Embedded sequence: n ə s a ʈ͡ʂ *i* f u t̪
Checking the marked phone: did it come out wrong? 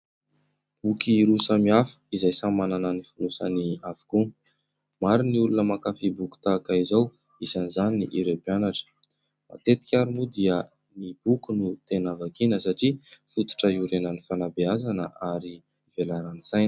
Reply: no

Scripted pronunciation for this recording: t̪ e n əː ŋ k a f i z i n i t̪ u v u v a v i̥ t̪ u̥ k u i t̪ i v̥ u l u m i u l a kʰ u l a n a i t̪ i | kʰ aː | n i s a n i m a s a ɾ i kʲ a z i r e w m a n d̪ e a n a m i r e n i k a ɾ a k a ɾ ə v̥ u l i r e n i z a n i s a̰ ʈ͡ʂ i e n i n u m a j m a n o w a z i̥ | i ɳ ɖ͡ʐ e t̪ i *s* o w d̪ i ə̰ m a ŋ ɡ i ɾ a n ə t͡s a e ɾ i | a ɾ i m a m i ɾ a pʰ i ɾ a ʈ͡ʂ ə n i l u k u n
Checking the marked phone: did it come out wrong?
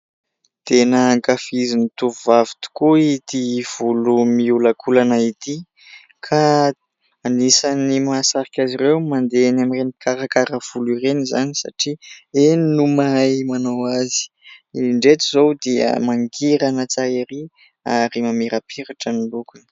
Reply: yes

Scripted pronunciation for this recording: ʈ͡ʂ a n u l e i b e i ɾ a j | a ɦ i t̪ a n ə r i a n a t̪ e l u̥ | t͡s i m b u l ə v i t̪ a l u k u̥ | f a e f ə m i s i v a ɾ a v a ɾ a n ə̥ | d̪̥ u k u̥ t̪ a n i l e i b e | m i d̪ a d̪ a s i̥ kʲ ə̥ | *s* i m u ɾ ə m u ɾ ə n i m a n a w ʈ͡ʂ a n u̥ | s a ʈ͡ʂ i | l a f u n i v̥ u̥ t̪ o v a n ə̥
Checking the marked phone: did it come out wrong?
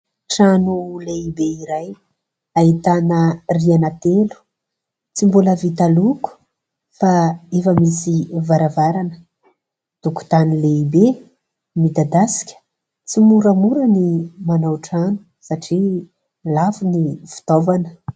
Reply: yes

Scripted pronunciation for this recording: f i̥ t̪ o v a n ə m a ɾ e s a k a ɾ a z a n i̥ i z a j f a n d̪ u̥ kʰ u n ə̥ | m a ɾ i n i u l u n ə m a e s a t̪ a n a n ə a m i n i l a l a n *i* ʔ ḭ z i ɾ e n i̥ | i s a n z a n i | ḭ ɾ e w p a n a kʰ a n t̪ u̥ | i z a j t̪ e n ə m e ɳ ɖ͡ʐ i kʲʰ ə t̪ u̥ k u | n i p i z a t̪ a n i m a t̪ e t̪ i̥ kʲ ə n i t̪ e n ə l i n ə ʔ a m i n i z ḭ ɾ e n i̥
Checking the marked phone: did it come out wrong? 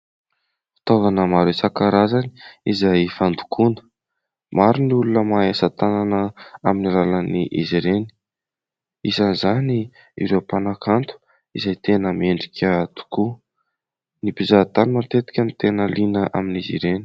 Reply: no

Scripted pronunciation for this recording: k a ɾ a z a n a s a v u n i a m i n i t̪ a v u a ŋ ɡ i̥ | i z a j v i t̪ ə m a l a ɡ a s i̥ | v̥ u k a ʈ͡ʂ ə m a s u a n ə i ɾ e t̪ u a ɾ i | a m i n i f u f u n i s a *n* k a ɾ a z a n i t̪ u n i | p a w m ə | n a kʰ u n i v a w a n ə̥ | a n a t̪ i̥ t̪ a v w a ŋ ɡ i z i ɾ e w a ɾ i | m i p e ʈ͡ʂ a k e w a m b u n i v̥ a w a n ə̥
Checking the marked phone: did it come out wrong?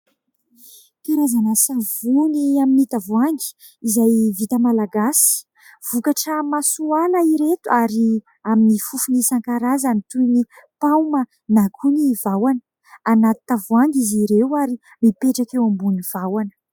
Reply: yes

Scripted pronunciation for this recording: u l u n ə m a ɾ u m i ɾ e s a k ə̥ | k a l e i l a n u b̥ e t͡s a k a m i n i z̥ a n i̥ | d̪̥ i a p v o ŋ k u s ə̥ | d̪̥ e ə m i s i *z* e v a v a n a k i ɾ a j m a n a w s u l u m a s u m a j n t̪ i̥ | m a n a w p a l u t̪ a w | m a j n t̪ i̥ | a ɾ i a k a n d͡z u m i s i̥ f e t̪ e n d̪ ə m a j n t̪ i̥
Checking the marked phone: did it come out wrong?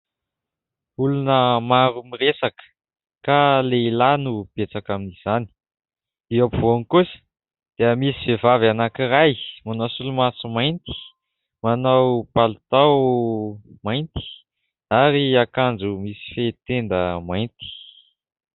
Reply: yes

